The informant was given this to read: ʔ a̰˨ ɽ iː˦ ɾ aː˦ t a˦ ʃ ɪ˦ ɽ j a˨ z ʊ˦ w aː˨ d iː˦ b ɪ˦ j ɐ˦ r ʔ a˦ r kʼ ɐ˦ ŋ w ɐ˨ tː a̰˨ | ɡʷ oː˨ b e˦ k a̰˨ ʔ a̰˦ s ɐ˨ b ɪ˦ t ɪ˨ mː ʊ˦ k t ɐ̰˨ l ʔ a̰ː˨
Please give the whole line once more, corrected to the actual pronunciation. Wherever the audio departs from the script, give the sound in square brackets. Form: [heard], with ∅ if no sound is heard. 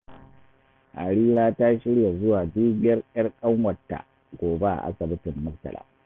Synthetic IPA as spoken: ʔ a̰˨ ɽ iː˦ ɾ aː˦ t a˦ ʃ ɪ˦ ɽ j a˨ z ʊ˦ w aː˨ d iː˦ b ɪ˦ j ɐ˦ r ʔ [ɐ˦] r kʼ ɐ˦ ŋ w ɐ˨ tː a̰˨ | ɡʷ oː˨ b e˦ [ʔ] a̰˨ ʔ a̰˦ s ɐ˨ b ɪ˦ t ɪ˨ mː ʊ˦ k t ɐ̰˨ l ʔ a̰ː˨